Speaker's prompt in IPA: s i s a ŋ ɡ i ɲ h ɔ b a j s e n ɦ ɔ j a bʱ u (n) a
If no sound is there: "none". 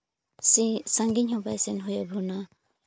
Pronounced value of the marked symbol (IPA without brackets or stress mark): n